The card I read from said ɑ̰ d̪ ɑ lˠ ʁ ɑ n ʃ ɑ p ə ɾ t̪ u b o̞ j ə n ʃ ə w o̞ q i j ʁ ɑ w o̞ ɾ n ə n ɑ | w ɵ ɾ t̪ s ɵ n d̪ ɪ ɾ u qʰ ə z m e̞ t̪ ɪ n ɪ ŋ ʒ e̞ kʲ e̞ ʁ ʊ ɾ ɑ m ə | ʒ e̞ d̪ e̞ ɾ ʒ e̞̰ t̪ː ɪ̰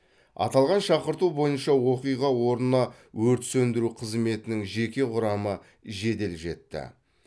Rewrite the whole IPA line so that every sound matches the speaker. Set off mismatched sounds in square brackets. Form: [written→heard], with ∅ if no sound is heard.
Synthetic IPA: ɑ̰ [d̪→t̪] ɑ lˠ ʁ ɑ n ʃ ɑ [p→q] ə ɾ t̪ u b o̞ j ə n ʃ [ə→ɑ] w o̞ q i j ʁ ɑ w o̞ ɾ n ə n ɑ | w ɵ ɾ t̪ s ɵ n d̪ ɪ ɾ u qʰ ə z m e̞ t̪ ɪ n ɪ ŋ ʒ e̞ kʲ e̞ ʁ ʊ ɾ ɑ m ə | ʒ e̞ d̪ e̞ [ɾ→l] ʒ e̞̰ t̪ː ɪ̰